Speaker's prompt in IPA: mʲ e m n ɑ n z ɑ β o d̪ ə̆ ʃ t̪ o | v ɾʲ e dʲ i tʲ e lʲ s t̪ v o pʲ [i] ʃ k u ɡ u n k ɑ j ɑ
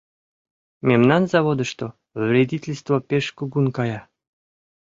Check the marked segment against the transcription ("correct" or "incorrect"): incorrect